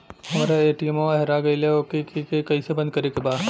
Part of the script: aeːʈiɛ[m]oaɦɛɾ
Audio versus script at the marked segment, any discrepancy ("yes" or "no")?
no